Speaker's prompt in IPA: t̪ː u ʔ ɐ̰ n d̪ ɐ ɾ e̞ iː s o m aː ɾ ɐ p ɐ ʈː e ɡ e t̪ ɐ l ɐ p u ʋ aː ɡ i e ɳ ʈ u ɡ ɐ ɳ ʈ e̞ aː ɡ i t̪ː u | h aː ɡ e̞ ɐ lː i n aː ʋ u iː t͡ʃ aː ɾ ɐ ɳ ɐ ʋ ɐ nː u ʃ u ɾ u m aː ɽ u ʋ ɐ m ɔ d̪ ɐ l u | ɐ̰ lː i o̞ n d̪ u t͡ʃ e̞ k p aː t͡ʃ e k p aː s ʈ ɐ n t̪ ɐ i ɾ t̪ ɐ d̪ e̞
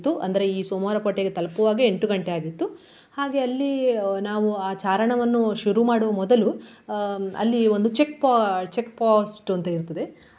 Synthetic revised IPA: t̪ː u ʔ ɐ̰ n d̪ ɐ ɾ e̞ iː s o m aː ɾ ɐ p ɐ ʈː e ɡ e t̪ ɐ l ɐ p u ʋ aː ɡ i e ɳ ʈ u ɡ ɐ ɳ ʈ e̞ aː ɡ i t̪ː u | h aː ɡ e̞ ɐ lː i n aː ʋ u aː t͡ʃ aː ɾ ɐ ɳ ɐ ʋ ɐ nː u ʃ u ɾ u m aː ɽ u ʋ ɐ m ɔ d̪ ɐ l u | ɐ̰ lː i o̞ n d̪ u t͡ʃ e̞ k p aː t͡ʃ e k p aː s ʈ ɐ n t̪ ɐ i ɾ t̪ ɐ d̪ e̞